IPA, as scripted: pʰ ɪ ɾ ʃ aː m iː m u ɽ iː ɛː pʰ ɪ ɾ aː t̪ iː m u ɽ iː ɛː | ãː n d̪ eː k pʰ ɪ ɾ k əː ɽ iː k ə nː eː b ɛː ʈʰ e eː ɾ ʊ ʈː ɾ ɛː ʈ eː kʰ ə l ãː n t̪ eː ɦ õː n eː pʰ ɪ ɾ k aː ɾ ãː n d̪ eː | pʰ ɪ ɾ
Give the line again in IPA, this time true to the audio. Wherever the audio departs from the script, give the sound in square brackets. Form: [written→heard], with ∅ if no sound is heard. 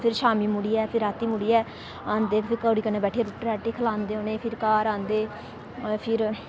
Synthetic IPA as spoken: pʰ ɪ ɾ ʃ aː m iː m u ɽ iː ɛː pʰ ɪ ɾ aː t̪ iː m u ɽ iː ɛː | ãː n d̪ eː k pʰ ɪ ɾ k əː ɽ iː k ə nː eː b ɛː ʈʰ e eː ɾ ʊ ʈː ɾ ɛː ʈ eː kʰ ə l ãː n [t̪→d̪] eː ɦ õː n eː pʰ ɪ ɾ k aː ɾ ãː n d̪ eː | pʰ ɪ ɾ